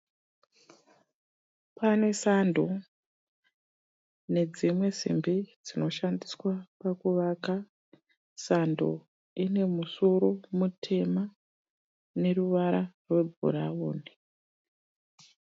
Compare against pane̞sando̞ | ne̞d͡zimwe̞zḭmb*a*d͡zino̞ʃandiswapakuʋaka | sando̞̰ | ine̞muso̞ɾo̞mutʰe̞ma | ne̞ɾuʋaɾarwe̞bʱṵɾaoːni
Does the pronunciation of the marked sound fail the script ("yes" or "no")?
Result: yes